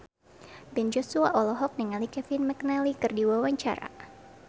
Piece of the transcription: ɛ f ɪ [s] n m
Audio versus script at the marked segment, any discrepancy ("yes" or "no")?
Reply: yes